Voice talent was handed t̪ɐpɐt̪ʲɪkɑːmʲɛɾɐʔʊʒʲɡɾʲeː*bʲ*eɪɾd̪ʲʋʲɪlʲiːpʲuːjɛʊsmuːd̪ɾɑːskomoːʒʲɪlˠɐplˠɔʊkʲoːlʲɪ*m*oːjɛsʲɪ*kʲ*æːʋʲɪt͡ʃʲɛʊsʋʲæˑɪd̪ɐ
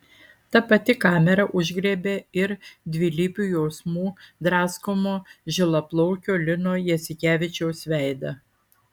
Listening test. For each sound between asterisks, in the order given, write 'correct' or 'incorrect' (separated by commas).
correct, incorrect, correct